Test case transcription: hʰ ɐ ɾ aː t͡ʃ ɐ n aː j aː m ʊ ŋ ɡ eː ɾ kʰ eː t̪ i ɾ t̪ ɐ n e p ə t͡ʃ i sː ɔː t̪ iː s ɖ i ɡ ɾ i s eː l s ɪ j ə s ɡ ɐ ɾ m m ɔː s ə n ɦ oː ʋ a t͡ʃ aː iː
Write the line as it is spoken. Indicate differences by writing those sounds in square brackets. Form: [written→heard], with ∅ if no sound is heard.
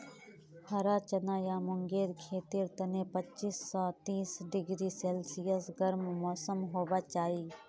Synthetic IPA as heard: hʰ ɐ ɾ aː t͡ʃ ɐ n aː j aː m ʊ ŋ ɡ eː ɾ kʰ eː t̪ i ɾ t̪ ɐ n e p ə t͡ʃ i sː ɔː t̪ iː s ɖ [i→ɪ] ɡ ɾ i s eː l s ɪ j ə s ɡ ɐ ɾ m m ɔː s ə [n→m] ɦ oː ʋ a t͡ʃ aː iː